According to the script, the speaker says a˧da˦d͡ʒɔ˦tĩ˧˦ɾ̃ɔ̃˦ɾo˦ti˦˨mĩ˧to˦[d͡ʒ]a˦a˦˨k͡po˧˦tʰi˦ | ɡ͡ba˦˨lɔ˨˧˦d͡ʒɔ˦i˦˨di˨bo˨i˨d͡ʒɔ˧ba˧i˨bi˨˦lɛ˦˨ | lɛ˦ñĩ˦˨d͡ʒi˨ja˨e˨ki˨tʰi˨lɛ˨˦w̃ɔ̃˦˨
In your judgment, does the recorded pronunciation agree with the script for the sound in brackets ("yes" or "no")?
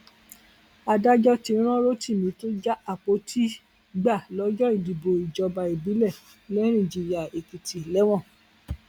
yes